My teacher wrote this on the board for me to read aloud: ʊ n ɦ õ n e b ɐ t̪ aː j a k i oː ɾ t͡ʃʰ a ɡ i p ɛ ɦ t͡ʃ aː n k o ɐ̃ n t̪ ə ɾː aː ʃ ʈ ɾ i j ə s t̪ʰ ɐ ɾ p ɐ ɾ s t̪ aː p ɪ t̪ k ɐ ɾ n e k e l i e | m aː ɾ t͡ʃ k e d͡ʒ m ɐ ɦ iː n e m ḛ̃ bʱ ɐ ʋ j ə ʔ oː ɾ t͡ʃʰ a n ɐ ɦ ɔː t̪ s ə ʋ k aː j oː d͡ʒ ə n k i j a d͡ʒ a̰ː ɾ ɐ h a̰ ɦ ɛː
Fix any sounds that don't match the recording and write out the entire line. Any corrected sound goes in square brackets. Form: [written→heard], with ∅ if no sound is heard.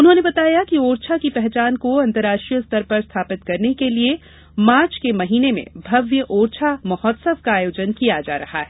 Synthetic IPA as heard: ʊ n ɦ õ n e b ɐ t̪ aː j a k i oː ɾ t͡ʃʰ a [ɡ→k] i p ɛ ɦ t͡ʃ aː n k o ɐ̃ n t̪ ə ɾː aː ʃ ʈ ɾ i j ə s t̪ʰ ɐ ɾ p ɐ ɾ s [t̪→t̪ʰ] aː p ɪ t̪ k ɐ ɾ n e k e l i e | m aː ɾ t͡ʃ k e [d͡ʒ→∅] m ɐ ɦ iː n e m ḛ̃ bʱ ɐ ʋ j ə ʔ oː ɾ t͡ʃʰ a [n→m] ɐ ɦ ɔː t̪ s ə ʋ k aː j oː d͡ʒ ə n k i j a d͡ʒ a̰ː ɾ ɐ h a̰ ɦ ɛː